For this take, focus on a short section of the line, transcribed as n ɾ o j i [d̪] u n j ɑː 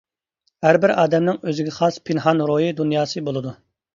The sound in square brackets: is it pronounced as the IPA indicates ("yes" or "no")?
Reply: yes